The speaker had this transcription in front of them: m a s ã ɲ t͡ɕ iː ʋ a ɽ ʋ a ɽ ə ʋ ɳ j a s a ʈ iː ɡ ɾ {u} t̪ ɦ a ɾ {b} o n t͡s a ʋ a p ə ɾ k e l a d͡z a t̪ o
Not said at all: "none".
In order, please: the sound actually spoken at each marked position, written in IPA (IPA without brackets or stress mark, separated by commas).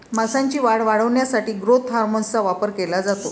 o, m